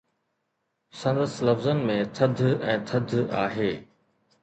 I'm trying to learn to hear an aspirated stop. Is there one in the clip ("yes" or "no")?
yes